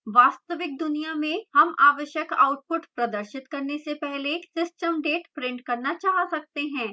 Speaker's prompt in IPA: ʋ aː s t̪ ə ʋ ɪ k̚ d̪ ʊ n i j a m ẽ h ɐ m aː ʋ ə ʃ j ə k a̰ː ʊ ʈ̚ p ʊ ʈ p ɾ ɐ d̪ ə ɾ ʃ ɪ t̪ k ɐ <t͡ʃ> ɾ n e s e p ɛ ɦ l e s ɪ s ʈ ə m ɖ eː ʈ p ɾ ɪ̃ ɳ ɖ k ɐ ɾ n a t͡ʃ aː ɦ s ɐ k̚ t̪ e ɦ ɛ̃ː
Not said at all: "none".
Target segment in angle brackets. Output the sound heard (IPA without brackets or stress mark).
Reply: none